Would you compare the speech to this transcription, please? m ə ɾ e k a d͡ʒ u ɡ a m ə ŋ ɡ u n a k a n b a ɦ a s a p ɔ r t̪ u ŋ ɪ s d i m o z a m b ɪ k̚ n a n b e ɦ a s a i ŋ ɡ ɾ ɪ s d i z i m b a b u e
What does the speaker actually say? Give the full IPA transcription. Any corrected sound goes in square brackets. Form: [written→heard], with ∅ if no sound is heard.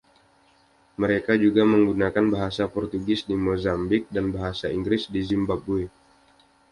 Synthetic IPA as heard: m ə ɾ e k a d͡ʒ u ɡ a m ə ŋ ɡ u n a k a n b a ɦ a s a p ɔ r t̪ u [ŋ→ɡ] ɪ s d i m o z a m b ɪ k̚ [n→d] a n b [e→a] ɦ a s a i ŋ ɡ ɾ ɪ s d i z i m b a b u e

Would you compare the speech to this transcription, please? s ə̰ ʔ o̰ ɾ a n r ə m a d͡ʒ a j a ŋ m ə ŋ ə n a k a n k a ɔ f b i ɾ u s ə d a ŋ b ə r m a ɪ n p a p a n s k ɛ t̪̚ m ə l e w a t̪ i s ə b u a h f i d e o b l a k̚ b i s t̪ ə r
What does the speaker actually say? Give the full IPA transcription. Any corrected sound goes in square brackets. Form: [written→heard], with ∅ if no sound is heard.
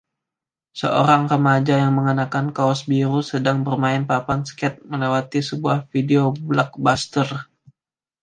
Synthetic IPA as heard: s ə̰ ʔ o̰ ɾ a [n→ŋ] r ə m a d͡ʒ a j a ŋ m ə ŋ ə n a k a n k a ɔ [f→s] b i ɾ u s ə d a ŋ b ə r m a ɪ n p a p a n s k ɛ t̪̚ m ə l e w a t̪ i s ə b u a h f i d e o b l a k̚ b [i→a] s t̪ ə r

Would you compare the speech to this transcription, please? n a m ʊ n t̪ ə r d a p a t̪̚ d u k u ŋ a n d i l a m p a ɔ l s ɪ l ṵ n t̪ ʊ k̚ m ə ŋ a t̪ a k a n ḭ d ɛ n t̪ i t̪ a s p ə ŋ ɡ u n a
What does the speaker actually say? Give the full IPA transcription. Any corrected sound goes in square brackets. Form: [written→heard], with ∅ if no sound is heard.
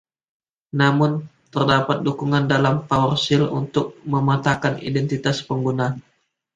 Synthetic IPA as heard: n a m ʊ n t̪ ə r d a p a t̪̚ d u k u ŋ a n d [i→a] l a m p a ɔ [l→r] s ɪ l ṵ n t̪ ʊ k̚ m ə [ŋ→m] a t̪ a k a n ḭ d ɛ n t̪ i t̪ a s p ə ŋ ɡ u n a

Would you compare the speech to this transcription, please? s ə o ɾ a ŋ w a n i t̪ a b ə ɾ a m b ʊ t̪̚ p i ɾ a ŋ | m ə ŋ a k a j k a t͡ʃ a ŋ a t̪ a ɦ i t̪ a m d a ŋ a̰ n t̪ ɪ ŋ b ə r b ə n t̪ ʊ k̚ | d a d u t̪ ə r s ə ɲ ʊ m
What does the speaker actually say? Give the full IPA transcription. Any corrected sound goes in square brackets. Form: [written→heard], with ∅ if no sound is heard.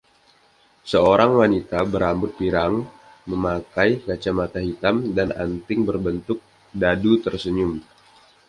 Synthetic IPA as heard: s ə o ɾ a ŋ w a n i t̪ a b ə ɾ a m b ʊ t̪̚ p i ɾ a ŋ | m ə [ŋ→m] a k a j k a t͡ʃ a [ŋ→m] a t̪ a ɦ i t̪ a m d a [ŋ→n] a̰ n t̪ ɪ ŋ b ə r b ə n t̪ ʊ k̚ | d a d u t̪ ə r s ə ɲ ʊ m

